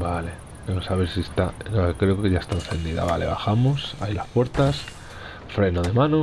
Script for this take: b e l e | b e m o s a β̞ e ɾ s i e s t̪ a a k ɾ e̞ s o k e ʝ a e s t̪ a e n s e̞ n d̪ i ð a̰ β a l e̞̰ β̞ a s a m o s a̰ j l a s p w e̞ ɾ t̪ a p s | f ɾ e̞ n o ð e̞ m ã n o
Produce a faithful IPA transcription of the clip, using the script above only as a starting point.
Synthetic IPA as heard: b a l e | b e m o s a β̞ e ɾ s i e s t̪ a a k ɾ e̞ o k e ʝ a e s t̪ a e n θ e̞ n d̪ i ð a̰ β a l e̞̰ β̞ a x a m o s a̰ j l a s p w e̞ ɾ t̪ a s | f ɾ e̞ n o ð e̞ m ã n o